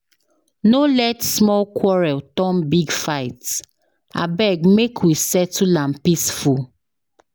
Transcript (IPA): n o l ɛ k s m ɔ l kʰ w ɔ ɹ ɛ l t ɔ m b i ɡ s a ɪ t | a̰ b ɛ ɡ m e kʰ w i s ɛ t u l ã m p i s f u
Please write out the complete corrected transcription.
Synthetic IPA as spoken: n o l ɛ t s m ɔ l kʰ w ɔ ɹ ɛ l t ɔ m b i ɡ f a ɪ t | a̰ b ɛ ɡ m e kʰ w i s ɛ t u l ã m p i s f u